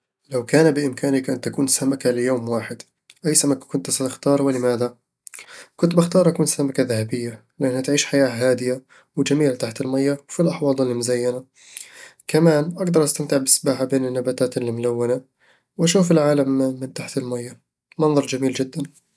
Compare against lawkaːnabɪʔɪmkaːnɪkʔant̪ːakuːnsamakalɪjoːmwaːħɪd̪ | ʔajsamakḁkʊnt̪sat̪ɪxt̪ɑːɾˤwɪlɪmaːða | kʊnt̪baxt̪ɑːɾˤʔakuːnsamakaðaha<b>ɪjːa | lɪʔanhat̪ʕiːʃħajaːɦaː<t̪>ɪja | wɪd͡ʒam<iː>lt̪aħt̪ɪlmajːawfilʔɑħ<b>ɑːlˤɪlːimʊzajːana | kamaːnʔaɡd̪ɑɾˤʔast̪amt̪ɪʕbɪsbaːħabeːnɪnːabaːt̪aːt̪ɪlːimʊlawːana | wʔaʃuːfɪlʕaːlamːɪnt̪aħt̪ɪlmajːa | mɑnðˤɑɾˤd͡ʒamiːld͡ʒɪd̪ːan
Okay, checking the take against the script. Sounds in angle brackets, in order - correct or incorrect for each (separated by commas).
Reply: correct, incorrect, correct, incorrect